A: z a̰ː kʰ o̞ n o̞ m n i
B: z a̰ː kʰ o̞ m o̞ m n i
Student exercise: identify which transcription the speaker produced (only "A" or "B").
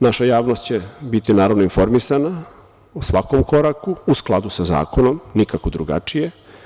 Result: A